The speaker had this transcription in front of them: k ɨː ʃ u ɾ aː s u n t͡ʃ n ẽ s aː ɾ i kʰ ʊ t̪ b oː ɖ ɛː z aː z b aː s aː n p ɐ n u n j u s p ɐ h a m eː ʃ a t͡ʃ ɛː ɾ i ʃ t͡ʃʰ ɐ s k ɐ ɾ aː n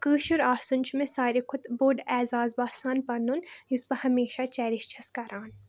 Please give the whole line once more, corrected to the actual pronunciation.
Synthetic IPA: k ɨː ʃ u ɾ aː s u n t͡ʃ m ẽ s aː ɾ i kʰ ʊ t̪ b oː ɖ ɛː z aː z b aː s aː n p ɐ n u n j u s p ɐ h ɐ m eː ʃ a t͡ʃ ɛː ɾ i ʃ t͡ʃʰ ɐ s k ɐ ɾ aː n